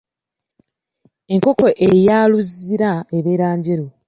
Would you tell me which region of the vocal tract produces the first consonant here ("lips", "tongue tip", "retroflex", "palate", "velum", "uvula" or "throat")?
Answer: velum